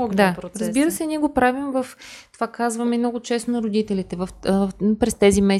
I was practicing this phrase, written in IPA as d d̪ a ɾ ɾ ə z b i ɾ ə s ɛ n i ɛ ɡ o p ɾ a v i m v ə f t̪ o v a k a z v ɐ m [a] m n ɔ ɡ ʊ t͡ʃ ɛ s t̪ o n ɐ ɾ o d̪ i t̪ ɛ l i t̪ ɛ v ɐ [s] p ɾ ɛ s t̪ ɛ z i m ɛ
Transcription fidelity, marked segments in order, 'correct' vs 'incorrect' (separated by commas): incorrect, incorrect